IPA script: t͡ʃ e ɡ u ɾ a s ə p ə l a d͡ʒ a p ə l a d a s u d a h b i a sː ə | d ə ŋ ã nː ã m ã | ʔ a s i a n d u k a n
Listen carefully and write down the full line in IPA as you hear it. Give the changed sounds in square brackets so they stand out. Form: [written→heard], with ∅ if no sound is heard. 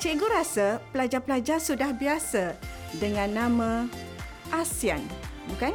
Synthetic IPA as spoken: t͡ʃ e ɡ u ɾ a s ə p ə l a d͡ʒ a p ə l a [d→d͡ʒ] a s u d a h b i a [sː→s] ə | d ə ŋ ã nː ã m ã | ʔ a s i a n [d→b] u k a n